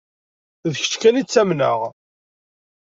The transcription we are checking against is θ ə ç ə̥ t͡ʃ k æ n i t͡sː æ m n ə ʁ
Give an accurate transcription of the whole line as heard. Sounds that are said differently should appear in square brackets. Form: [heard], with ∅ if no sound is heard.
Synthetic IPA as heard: [ð] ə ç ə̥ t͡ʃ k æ n i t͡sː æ m n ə ʁ